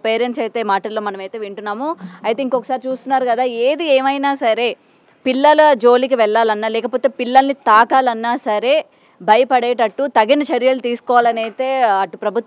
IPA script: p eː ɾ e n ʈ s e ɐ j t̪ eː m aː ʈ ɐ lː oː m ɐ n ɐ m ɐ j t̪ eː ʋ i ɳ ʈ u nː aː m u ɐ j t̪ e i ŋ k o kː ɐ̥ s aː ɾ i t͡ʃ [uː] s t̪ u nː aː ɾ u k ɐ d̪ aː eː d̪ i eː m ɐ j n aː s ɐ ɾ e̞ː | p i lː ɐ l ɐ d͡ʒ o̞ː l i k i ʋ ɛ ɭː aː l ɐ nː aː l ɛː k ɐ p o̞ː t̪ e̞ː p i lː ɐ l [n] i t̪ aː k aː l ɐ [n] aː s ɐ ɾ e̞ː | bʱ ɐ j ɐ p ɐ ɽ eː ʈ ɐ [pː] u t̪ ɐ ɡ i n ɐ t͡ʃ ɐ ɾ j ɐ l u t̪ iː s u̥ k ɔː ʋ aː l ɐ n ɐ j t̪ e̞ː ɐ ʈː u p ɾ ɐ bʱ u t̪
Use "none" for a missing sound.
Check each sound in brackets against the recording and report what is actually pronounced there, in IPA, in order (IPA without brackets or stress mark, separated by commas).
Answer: uː, n, nː, ʈː